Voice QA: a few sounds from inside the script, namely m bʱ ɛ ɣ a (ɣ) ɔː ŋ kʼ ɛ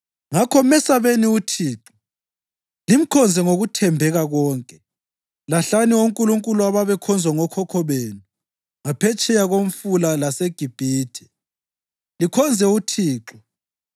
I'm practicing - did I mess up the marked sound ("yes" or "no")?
no